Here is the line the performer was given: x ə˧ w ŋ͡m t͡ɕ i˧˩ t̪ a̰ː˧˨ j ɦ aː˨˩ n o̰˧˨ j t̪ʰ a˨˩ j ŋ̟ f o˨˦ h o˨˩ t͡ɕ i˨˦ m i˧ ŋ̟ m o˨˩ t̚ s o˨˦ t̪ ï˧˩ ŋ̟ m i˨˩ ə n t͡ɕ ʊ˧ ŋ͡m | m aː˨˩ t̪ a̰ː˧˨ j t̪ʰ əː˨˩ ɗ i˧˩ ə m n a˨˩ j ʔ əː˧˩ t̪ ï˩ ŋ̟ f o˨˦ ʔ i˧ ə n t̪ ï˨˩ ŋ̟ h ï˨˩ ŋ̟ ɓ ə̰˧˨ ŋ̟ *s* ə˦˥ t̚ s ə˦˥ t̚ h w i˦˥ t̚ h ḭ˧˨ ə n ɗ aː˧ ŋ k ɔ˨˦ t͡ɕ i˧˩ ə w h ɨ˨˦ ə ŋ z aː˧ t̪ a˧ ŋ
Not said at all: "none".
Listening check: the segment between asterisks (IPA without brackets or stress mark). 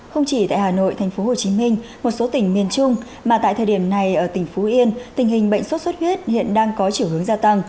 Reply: s